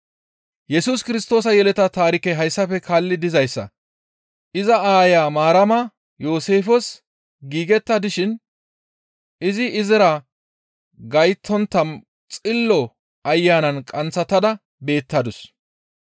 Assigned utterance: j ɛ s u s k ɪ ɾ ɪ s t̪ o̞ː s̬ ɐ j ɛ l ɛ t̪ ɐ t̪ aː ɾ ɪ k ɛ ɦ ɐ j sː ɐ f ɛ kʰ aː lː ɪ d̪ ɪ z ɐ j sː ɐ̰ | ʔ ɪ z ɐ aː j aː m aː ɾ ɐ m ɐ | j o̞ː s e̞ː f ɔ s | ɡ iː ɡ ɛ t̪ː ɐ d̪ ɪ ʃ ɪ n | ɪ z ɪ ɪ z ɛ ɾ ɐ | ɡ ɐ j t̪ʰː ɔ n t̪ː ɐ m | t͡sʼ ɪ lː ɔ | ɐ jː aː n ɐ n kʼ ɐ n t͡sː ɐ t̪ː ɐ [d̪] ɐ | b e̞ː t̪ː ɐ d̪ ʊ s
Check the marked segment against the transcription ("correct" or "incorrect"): correct